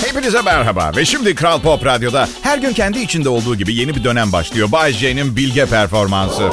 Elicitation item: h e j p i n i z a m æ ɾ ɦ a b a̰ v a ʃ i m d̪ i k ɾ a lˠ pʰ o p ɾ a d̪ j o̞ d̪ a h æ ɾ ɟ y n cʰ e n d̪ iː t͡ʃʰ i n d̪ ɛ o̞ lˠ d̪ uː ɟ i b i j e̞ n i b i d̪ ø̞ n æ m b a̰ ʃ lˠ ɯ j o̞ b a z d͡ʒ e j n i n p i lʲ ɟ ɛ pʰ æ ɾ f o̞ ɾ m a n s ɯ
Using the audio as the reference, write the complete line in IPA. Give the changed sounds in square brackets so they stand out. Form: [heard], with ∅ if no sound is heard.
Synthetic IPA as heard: h e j p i n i z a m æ ɾ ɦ a b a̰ v [ɛ] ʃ i m d̪ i k ɾ a lˠ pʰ o p ɾ a d̪ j o̞ d̪ a h æ ɾ ɟ y n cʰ [ɛ] n d̪ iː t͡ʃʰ i n d̪ ɛ o̞ lˠ d̪ uː ɟ i b i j e̞ n i b i d̪ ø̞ n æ m b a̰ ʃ lˠ ɯ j o̞ b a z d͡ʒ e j n i n [b] i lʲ ɟ ɛ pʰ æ ɾ f o̞ ɾ m a n s ɯ